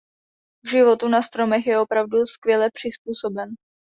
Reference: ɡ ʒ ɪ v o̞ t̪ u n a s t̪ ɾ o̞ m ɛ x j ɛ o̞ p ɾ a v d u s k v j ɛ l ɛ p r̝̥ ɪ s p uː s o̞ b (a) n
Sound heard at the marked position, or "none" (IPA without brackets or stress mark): ɛ